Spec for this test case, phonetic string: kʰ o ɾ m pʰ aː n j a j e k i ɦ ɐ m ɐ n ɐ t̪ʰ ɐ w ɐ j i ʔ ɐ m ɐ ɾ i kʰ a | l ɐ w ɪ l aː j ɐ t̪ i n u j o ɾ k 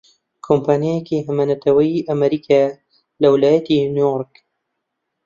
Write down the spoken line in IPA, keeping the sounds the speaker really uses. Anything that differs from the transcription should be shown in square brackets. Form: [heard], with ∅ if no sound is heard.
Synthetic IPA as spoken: kʰ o [∅] m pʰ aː n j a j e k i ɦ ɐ m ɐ n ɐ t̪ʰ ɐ w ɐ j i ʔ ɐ m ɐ ɾ i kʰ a | l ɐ w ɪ l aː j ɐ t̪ i n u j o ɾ k